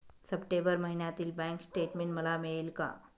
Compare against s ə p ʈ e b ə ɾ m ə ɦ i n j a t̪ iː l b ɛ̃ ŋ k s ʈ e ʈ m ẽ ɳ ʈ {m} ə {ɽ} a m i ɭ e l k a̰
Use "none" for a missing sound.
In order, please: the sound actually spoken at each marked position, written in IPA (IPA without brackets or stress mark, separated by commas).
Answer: m, l